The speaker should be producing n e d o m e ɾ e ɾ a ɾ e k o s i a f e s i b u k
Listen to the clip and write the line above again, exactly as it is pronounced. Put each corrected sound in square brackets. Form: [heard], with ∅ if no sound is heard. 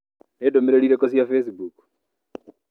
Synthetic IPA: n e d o m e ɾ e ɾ [i] ɾ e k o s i a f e s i b u k